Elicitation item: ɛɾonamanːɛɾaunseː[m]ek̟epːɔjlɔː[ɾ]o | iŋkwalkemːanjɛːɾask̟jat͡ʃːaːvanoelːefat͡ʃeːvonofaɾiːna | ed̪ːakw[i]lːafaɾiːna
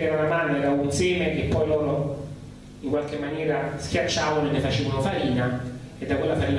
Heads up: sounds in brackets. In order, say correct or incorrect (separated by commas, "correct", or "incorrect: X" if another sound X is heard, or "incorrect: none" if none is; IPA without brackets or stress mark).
correct, correct, incorrect: e